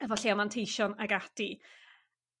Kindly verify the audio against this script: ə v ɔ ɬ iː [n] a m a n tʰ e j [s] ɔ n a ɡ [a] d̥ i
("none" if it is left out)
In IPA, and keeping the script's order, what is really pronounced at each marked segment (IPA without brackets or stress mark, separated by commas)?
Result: none, ʃ, a